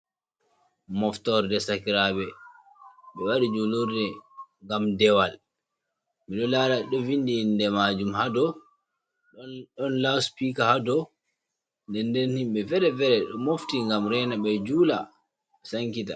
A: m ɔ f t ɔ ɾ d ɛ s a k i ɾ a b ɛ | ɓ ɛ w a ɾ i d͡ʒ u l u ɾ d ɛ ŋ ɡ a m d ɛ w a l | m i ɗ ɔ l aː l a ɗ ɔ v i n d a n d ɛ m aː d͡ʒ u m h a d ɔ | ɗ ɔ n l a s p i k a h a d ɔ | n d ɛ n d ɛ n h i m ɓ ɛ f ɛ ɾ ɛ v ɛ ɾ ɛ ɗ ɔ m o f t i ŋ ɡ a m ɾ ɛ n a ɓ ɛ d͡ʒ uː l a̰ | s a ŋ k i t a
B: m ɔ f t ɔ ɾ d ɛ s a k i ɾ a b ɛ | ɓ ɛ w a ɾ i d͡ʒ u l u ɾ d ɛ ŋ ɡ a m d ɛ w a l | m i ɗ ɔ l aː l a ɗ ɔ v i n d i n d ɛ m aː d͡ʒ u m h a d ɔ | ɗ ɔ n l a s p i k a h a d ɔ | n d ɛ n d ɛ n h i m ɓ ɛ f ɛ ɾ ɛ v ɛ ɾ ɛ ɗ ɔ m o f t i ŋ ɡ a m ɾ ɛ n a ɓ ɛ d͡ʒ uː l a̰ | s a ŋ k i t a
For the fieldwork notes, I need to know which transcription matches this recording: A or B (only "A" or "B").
B